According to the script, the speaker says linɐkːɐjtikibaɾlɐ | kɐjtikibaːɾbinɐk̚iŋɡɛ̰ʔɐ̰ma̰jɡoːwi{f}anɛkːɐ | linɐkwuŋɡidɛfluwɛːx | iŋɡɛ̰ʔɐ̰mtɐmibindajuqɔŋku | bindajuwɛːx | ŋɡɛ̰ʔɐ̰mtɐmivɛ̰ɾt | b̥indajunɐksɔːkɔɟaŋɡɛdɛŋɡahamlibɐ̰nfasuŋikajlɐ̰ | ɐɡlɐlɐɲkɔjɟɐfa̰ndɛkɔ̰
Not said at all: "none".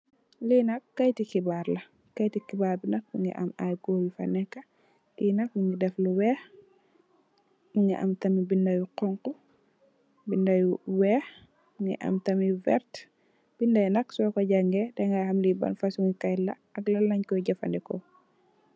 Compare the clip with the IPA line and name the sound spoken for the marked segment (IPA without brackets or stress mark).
f